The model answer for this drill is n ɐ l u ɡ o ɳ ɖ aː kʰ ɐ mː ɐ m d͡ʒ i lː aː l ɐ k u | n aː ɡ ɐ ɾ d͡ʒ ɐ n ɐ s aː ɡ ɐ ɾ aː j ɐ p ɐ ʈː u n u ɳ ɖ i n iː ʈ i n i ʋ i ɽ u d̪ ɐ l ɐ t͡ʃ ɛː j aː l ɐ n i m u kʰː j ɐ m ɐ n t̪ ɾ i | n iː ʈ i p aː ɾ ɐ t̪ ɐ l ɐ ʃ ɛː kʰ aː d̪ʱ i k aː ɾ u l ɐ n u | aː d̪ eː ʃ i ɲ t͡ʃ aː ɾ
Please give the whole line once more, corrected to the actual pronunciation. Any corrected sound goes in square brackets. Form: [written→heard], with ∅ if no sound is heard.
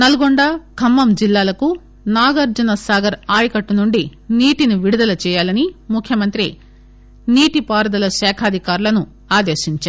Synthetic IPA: n ɐ l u ɡ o ɳ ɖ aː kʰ ɐ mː ɐ m d͡ʒ i lː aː l ɐ k u | n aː ɡ ɐ ɾ d͡ʒ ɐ n ɐ s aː ɡ ɐ ɾ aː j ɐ [p→k] ɐ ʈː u n u ɳ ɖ i n iː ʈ i n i ʋ i ɽ u d̪ ɐ l ɐ t͡ʃ ɛː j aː l ɐ n i m u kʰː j ɐ m ɐ n t̪ ɾ i | n iː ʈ i p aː ɾ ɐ [t̪→d̪] ɐ l ɐ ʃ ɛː kʰ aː d̪ʱ i k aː ɾ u l ɐ n u | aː d̪ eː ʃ i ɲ t͡ʃ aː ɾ

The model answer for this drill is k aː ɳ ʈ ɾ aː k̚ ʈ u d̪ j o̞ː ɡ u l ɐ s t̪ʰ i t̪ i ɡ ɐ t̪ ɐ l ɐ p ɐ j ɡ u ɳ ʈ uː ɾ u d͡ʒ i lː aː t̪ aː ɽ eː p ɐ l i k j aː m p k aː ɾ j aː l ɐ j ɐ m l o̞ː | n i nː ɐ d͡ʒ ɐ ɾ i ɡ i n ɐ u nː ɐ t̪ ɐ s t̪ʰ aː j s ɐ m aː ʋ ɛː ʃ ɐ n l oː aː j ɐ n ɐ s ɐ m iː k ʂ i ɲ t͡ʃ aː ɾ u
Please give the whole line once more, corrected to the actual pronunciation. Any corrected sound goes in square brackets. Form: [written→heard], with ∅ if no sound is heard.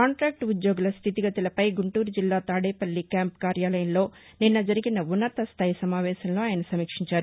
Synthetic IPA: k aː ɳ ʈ ɾ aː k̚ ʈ u d̪ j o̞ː ɡ u l ɐ s t̪ʰ i t̪ i ɡ ɐ t̪ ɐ l ɐ p ɐ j ɡ u ɳ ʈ uː ɾ u d͡ʒ i lː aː t̪ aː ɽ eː p ɐ [l→lː] i k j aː m p k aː ɾ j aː l ɐ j ɐ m l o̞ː | n i nː ɐ d͡ʒ ɐ ɾ i ɡ i n ɐ u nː ɐ t̪ ɐ s t̪ʰ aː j s ɐ m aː ʋ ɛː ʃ ɐ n l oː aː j ɐ n ɐ s ɐ m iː k ʂ i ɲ t͡ʃ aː ɾ u

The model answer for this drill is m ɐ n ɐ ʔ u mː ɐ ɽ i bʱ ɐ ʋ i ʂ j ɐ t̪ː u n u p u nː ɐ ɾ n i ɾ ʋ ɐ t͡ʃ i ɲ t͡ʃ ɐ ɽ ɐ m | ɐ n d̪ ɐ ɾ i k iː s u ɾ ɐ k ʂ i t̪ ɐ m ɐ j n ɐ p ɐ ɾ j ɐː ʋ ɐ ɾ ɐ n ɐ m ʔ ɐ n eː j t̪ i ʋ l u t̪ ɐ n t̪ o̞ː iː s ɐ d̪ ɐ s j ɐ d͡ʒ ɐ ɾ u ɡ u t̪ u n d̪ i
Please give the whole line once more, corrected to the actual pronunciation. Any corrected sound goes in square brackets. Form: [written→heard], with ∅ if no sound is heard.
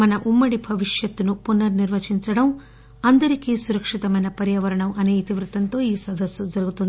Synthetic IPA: m ɐ n ɐ ʔ u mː ɐ ɽ i bʱ ɐ ʋ i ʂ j ɐ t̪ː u n u p u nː ɐ ɾ n i ɾ ʋ ɐ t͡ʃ i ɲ t͡ʃ ɐ ɽ ɐ m | ɐ n d̪ ɐ ɾ i k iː s u ɾ ɐ k ʂ i t̪ ɐ m ɐ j n ɐ p ɐ ɾ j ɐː ʋ ɐ ɾ ɐ [n→ɳ] ɐ m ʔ ɐ n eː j t̪ i ʋ [l→ɾ] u t̪ ɐ n t̪ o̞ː iː s ɐ d̪ ɐ s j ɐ d͡ʒ ɐ ɾ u ɡ u t̪ u n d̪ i

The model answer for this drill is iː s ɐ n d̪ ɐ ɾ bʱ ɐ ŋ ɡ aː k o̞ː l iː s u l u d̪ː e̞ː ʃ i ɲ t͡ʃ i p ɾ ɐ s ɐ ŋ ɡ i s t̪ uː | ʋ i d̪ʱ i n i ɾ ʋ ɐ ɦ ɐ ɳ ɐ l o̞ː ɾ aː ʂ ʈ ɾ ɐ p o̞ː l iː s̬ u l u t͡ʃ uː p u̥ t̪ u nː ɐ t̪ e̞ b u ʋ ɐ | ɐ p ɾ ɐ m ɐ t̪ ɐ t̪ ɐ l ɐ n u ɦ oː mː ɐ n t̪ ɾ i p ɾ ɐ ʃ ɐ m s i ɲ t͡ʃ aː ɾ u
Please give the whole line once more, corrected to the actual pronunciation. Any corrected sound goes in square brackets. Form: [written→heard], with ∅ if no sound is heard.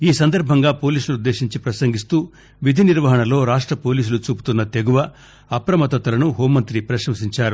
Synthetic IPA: iː s ɐ n d̪ ɐ ɾ bʱ ɐ ŋ ɡ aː [k→p] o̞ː l iː s u l u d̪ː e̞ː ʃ i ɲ t͡ʃ i p ɾ ɐ s ɐ ŋ ɡ i s t̪ uː | ʋ i d̪ʱ i n i ɾ ʋ ɐ ɦ ɐ ɳ ɐ l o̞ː ɾ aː ʂ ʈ ɾ ɐ p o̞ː l iː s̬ u l u t͡ʃ uː p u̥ t̪ u nː ɐ t̪ e̞ [b→ɡ] u ʋ ɐ | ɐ p ɾ ɐ m ɐ t̪ ɐ t̪ ɐ l ɐ n u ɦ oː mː ɐ n t̪ ɾ i p ɾ ɐ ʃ ɐ m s i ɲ t͡ʃ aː ɾ u

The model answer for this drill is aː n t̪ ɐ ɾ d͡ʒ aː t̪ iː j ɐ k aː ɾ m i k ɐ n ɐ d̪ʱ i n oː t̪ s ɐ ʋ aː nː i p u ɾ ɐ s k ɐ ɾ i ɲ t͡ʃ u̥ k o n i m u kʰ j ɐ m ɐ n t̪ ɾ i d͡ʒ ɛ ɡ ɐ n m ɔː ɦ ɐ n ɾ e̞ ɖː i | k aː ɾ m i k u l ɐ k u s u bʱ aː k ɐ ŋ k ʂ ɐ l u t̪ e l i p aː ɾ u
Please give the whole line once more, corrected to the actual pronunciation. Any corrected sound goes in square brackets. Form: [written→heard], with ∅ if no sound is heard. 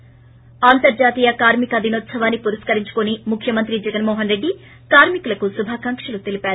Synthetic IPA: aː n t̪ ɐ ɾ d͡ʒ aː t̪ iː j ɐ k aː ɾ m i k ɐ [n→∅] ɐ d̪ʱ i n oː t̪ s ɐ ʋ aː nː i p u ɾ ɐ s k ɐ ɾ i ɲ t͡ʃ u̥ k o n i m u kʰ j ɐ m ɐ n t̪ ɾ i d͡ʒ ɛ ɡ ɐ n m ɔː ɦ ɐ n ɾ e̞ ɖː i | k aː ɾ m i k u l ɐ k u s u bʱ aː k ɐ ŋ k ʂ ɐ l u t̪ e l i p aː ɾ u

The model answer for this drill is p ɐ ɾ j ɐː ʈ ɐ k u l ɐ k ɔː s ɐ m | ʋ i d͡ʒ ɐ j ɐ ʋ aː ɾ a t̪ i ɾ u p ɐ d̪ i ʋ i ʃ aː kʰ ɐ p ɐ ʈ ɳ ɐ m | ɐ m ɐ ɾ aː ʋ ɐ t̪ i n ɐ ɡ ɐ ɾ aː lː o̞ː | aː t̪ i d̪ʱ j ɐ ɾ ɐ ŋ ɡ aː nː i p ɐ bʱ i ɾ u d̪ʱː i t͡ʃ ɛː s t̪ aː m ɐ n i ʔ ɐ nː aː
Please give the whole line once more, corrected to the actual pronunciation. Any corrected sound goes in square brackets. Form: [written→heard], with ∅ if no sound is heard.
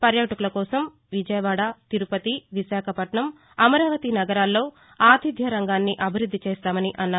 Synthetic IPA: p ɐ ɾ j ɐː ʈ ɐ k u l ɐ k ɔː s ɐ m | ʋ i d͡ʒ ɐ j ɐ ʋ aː [ɾ→ɽ] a t̪ i ɾ u p ɐ [d̪→t̪] i ʋ i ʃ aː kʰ ɐ p ɐ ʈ ɳ ɐ m | ɐ m ɐ ɾ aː ʋ ɐ t̪ i n ɐ ɡ ɐ ɾ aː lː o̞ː | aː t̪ i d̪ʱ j ɐ ɾ ɐ ŋ ɡ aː nː i [p→ʔ] ɐ bʱ i ɾ u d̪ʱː i t͡ʃ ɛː s t̪ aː m ɐ n i ʔ ɐ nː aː

